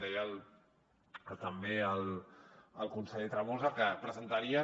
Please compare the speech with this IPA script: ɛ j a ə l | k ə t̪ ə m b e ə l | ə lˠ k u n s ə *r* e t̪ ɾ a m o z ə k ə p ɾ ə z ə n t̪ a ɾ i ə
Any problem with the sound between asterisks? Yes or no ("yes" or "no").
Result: yes